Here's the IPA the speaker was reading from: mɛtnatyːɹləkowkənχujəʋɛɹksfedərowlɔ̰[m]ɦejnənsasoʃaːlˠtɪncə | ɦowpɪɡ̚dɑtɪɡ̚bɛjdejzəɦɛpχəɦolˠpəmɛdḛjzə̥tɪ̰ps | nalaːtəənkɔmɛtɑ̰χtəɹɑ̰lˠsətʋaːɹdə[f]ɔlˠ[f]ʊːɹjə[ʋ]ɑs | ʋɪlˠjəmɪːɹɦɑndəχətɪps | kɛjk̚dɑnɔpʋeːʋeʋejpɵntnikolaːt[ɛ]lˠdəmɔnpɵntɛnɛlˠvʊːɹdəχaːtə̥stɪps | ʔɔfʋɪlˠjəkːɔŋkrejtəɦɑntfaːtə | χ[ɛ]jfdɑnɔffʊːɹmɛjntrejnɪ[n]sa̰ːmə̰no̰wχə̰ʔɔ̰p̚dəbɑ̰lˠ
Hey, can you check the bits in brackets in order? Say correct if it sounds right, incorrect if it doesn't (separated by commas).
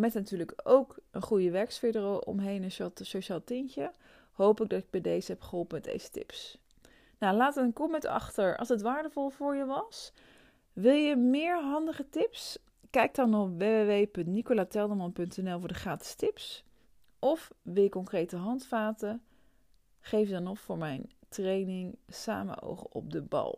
correct, incorrect, incorrect, correct, correct, incorrect, incorrect